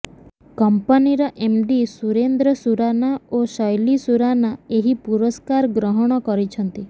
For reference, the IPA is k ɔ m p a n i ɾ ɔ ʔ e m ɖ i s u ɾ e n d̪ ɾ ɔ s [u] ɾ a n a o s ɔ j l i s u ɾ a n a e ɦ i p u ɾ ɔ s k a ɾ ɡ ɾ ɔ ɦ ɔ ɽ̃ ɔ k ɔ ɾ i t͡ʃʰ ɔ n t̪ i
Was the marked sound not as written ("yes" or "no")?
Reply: no